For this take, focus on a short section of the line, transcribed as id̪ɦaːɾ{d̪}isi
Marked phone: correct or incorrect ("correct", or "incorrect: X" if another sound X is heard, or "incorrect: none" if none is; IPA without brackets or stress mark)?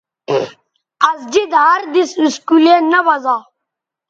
correct